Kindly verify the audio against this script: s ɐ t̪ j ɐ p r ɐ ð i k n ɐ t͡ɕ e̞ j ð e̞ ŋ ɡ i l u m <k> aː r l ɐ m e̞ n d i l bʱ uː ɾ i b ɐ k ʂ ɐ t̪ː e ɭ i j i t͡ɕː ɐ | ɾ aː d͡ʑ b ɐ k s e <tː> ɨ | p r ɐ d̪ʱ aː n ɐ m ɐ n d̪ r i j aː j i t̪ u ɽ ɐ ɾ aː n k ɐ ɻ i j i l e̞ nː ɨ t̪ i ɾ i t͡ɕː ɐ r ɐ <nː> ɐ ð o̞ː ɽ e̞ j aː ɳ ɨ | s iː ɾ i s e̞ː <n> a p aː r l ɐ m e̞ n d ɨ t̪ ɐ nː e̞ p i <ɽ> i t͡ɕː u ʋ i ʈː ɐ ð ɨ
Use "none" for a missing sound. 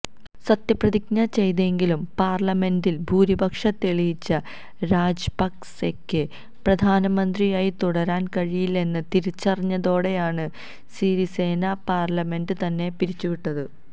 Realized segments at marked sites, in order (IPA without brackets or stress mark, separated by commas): p, kː, ɲː, n, ɾ